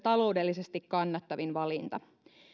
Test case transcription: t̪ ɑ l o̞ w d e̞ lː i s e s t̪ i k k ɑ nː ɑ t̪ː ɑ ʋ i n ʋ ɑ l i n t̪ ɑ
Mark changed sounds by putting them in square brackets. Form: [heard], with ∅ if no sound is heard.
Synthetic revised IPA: t̪ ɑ l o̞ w d e̞ lː i s e s t̪ i k k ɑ nː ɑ t̪ː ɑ ʋ i n ʋ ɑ l i n t̪ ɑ